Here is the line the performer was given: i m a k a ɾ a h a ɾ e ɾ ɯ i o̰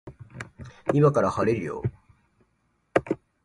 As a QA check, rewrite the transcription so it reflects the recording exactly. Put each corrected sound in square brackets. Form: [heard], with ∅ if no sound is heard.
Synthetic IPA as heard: i m a k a ɾ a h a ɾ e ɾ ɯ [j] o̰